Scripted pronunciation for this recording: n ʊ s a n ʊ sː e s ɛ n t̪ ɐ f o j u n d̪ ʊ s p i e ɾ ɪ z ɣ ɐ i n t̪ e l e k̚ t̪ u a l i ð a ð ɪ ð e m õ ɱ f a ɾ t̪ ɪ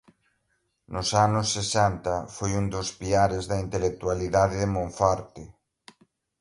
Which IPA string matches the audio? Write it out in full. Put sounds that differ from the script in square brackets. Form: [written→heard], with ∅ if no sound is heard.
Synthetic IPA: n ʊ s a n ʊ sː e s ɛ n t̪ ɐ f o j u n d̪ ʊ s p i [e→a] ɾ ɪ z [ɣ→ð] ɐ i n t̪ e l e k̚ t̪ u a l i ð a ð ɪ ð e m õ ɱ f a ɾ t̪ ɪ